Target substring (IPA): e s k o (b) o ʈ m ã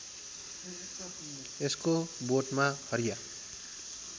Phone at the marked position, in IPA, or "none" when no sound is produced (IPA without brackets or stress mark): b